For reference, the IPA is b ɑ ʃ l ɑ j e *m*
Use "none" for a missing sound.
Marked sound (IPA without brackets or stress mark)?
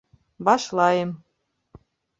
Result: m